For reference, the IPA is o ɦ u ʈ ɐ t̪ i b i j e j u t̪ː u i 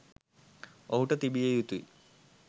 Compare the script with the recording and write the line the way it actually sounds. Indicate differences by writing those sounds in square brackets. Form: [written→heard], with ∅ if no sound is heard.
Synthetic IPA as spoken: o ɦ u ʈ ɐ t̪ i b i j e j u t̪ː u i